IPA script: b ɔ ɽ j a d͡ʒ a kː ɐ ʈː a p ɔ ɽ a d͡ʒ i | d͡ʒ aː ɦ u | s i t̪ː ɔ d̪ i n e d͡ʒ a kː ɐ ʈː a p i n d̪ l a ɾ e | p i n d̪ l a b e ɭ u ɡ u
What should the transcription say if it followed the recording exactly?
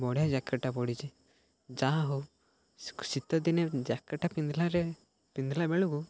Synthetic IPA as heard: b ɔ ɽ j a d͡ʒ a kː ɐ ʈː a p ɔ ɽ i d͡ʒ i | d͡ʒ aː ɦ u | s i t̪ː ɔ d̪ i n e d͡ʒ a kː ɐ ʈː a p i n d̪ l a ɾ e | p i n d̪ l a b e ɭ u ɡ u